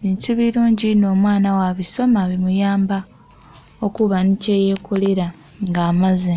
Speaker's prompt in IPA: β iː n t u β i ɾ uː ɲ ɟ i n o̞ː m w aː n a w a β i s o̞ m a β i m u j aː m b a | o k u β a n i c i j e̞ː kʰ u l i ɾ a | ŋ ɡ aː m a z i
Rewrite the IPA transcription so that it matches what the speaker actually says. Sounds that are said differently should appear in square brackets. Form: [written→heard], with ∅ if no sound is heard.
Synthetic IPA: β iː n t u β i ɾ uː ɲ ɟ i n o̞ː m w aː n a w a β i s o̞ m a β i m u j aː m b a | o k u β a n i c [i→e] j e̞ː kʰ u l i ɾ a | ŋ ɡ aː m a z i

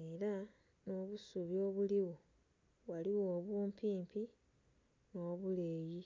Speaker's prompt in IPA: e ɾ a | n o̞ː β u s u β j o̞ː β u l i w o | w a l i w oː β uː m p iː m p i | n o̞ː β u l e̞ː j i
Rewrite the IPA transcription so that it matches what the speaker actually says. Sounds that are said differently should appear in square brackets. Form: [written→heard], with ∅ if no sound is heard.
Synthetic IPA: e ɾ a | n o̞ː β u s u β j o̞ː β u l i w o | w a l i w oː β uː m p iː m p i | n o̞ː β u l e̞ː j i

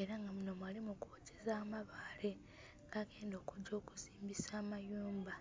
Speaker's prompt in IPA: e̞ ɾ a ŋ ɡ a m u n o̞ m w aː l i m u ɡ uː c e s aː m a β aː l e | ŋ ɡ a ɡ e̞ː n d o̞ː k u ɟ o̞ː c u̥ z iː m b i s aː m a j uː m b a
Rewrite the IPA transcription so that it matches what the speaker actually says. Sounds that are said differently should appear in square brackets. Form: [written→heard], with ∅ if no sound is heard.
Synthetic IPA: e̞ ɾ a ŋ ɡ a m u n o̞ m w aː l i m u [ɡ→k] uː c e [s→z] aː m a β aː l e | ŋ ɡ a ɡ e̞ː n d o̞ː k u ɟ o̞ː [c→k] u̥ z iː m b i s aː m a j uː m b a

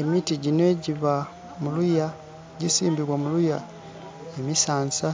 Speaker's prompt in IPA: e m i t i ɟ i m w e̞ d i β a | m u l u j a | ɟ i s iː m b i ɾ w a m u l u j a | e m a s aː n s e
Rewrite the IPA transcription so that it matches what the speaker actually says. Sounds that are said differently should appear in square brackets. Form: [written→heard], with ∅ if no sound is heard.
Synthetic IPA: e m i t i ɟ i [m→n] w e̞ [d→ɟ] i β a | m u l u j a | ɟ i s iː m b i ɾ w a m u l u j a | e m [a→i] s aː n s [e→a]

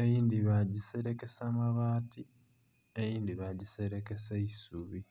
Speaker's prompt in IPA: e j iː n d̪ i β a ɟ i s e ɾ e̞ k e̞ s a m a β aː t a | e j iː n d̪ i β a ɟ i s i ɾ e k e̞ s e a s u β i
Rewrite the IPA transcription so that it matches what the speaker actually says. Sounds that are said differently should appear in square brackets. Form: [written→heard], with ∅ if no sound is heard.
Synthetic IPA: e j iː n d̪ i β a ɟ i s e ɾ e̞ k e̞ s a m a β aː t [a→i] | e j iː n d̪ i β a ɟ i s [i→e] ɾ e k e̞ s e [a→i] s u β i

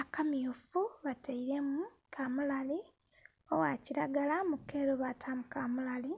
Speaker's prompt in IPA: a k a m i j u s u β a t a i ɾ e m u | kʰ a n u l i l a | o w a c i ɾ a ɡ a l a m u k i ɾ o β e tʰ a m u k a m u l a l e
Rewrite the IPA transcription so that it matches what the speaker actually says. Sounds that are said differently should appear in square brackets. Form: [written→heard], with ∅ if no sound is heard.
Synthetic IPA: a k a m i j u [s→f] u β a t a i ɾ e m u | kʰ a [n→m] u l [i→a] l [a→i] | o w a c i ɾ a ɡ a l a m u k [i→e] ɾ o β [e→a] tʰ a m u k a m u l a l [e→i]

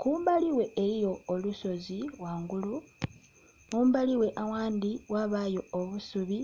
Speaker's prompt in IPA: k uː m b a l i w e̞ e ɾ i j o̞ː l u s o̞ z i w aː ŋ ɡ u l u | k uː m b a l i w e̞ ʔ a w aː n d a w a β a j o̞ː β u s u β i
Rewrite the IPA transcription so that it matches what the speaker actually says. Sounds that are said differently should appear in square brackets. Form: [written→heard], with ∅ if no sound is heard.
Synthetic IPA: k uː m b a l i w e̞ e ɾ i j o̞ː l u s o̞ z i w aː ŋ ɡ u l u | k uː m b a l i w e̞ ʔ a w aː n d [a→i] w a β a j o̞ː β u s u β i

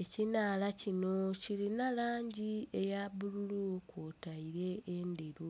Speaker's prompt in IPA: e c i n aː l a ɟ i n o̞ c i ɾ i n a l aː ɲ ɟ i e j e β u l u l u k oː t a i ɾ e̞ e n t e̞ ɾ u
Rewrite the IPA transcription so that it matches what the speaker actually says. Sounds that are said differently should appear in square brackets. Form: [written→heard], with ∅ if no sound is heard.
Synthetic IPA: e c i n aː l a [ɟ→c] i n o̞ c i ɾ i n a l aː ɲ ɟ i e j [e→a] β u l u l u k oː t a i ɾ e̞ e n [t→d] e̞ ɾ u

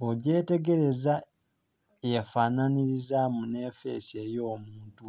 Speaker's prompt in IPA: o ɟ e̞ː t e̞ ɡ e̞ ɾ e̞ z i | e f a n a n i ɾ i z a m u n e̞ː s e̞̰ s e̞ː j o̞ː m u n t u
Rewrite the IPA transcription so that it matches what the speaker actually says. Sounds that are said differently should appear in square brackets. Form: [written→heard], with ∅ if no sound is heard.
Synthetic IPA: o ɟ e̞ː t e̞ ɡ e̞ ɾ e̞ z [i→a] | e f a n a n i ɾ i z a m u n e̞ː [s→f] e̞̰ s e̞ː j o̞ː m [u→uː] n t u

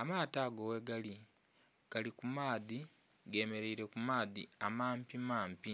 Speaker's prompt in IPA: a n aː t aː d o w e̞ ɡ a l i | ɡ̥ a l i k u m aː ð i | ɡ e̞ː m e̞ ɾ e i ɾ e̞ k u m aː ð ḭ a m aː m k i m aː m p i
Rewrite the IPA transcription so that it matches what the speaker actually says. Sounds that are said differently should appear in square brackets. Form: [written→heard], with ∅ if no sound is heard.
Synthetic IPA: a [n→m] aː t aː [d→ɡ] o w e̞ ɡ a l i | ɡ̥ a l i k u m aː ð i | ɡ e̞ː m e̞ ɾ e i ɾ e̞ k u m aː ð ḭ a m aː m [k→p] i m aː m p i

